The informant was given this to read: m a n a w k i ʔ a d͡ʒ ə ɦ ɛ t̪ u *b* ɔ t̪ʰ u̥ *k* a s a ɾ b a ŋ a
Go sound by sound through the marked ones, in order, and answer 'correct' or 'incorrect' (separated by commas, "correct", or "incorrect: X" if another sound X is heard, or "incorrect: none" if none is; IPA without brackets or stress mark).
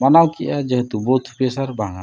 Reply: correct, incorrect: p